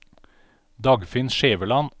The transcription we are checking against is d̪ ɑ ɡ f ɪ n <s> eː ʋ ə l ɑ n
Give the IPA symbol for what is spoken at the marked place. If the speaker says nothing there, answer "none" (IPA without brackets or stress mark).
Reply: ʃ